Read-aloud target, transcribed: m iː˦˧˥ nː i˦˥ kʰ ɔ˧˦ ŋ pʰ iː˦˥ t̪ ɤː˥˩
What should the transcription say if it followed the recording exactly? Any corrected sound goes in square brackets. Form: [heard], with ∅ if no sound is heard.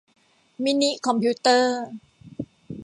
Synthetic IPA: m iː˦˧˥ [n] i˦˥ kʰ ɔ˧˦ [m] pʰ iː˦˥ t̪ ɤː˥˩